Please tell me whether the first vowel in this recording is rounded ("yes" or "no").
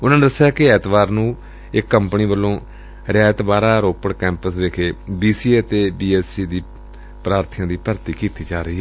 yes